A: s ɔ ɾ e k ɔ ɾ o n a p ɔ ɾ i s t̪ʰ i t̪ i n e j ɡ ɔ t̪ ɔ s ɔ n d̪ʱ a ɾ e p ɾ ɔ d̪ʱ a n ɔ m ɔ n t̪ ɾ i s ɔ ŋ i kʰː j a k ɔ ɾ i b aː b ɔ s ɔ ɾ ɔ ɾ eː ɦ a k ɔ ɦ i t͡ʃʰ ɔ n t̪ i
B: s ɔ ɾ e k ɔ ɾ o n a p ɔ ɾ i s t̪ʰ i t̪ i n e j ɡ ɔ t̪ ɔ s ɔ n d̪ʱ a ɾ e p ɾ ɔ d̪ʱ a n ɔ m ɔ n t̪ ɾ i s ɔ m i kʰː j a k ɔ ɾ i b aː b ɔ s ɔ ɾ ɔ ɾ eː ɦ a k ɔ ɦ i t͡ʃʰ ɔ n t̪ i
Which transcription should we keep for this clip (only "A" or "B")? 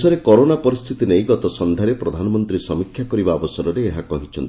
B